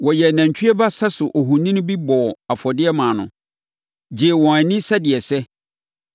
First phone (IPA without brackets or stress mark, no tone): w